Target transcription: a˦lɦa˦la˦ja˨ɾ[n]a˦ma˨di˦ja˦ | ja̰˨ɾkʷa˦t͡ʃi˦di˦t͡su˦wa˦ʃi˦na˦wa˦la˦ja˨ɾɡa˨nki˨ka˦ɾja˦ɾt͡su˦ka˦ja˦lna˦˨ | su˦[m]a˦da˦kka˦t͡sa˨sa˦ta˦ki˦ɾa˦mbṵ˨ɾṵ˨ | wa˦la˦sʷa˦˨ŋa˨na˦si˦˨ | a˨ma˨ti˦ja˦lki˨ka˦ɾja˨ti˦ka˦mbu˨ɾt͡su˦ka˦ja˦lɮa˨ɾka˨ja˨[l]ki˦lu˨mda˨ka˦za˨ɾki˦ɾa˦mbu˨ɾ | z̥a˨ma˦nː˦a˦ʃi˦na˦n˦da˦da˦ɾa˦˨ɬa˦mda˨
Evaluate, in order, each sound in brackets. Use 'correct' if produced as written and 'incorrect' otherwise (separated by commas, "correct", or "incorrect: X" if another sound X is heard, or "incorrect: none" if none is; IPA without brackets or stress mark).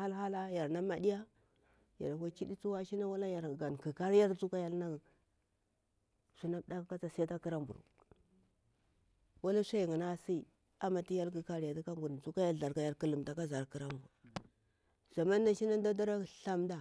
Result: correct, incorrect: n, incorrect: ɾ